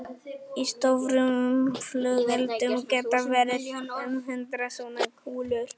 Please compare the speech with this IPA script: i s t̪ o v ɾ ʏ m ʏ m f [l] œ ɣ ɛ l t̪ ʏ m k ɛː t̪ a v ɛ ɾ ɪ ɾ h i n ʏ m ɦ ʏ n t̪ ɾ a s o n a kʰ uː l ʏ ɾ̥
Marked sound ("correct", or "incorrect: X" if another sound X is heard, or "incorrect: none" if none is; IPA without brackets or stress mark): correct